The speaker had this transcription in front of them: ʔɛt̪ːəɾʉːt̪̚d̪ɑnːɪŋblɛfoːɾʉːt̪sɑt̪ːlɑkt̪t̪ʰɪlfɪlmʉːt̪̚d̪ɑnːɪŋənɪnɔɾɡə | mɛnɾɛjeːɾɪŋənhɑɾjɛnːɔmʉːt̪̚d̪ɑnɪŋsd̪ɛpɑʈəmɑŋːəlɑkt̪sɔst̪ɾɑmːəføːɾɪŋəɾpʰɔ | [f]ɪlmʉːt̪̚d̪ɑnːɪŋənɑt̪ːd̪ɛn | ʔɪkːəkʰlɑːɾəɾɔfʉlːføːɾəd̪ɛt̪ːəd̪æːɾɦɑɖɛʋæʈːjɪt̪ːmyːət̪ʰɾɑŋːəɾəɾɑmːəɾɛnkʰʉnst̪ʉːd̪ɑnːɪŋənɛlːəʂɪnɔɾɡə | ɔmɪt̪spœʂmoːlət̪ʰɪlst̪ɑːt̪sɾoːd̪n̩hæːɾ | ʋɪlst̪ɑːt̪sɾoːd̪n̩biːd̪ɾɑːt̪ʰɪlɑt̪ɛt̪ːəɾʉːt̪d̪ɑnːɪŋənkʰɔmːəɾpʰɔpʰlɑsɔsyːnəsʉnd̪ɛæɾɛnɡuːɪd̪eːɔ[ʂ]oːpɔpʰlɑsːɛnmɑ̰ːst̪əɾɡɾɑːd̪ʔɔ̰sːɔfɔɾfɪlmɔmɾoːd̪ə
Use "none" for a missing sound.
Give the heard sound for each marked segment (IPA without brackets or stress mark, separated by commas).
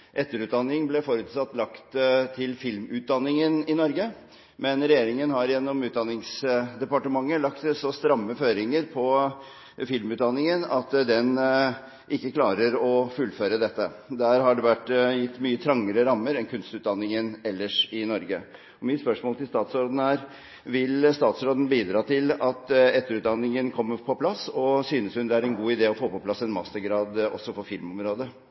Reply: f, f